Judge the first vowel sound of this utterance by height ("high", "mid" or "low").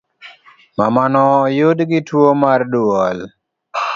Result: low